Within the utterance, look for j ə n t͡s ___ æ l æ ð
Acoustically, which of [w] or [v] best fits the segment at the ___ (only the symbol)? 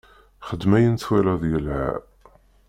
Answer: w